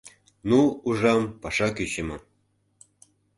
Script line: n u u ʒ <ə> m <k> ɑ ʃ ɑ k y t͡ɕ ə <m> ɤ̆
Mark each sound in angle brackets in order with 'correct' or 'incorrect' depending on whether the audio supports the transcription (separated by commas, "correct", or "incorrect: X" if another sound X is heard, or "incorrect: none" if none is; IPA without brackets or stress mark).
incorrect: ɑ, incorrect: p, correct